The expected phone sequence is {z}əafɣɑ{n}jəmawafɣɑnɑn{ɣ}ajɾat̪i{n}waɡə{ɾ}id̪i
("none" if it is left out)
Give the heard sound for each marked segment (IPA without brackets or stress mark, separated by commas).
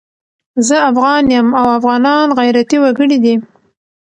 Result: z, n, ɣ, none, ɽ